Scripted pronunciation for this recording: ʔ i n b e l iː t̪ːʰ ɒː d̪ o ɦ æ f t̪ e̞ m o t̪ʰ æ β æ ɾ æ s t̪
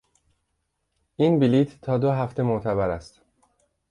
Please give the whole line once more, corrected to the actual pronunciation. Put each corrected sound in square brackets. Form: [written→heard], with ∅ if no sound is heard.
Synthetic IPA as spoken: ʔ i n b [e→i] l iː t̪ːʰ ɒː d̪ o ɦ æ f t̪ e̞ m o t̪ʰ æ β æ ɾ æ s t̪